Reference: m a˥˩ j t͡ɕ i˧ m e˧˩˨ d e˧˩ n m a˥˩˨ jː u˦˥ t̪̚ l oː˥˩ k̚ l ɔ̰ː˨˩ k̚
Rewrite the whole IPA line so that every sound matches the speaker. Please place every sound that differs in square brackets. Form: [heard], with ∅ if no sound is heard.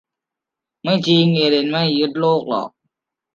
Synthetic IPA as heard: m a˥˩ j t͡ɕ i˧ [ŋ] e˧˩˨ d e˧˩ n m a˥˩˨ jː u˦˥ t̪̚ l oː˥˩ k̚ l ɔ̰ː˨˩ k̚